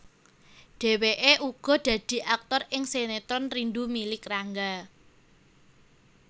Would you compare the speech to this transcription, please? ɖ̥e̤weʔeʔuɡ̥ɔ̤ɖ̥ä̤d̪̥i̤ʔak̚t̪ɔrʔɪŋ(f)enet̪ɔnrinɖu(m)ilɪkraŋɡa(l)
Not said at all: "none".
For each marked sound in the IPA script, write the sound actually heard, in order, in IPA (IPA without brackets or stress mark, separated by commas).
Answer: s, m, none